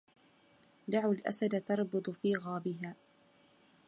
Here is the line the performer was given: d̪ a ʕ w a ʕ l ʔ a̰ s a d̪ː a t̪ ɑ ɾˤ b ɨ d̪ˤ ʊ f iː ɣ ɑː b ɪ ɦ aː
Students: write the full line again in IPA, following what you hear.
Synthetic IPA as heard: d̪ a ʕ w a l ʔ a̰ s a d̪ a t̪ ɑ ɾˤ b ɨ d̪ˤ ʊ f iː ɣ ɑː b ɪ ɦ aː